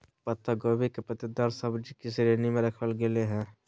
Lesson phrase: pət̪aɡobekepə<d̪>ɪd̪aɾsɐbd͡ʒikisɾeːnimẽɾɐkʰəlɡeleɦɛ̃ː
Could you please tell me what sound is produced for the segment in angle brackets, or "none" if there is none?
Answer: t̪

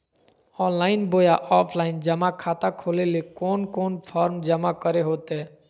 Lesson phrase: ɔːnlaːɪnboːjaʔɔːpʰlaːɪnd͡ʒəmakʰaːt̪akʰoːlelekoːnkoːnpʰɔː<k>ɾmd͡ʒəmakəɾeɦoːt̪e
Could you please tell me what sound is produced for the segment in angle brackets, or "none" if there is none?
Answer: none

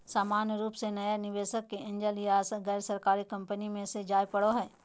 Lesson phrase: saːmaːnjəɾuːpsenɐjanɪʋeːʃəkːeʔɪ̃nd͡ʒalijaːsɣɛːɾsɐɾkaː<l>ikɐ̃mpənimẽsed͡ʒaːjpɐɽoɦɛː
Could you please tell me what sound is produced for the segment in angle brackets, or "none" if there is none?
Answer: ɾ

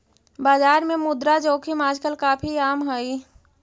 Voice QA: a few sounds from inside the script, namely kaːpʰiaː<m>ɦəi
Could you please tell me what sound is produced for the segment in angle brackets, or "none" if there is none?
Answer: m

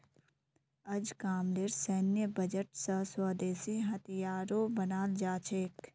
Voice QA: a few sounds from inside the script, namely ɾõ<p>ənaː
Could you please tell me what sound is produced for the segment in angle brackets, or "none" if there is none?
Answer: b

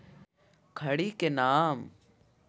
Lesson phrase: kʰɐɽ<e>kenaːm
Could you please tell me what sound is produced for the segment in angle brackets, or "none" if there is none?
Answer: i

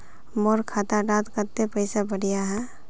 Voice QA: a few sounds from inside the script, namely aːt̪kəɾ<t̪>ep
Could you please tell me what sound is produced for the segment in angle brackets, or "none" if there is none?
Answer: t̪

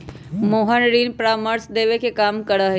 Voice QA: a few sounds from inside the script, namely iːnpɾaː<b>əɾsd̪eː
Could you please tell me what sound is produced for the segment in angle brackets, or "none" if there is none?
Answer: m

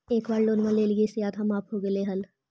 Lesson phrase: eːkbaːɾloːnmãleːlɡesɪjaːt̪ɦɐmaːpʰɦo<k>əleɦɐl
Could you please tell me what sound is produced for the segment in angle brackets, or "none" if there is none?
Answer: ɡ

